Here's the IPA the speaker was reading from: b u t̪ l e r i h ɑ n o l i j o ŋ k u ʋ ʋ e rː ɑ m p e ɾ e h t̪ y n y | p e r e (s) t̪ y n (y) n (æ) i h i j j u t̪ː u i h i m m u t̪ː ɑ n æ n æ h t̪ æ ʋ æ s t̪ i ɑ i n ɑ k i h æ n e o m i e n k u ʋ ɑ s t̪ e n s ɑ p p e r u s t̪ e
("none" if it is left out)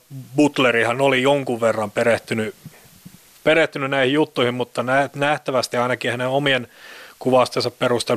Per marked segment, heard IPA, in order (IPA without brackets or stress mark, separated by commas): h, y, æ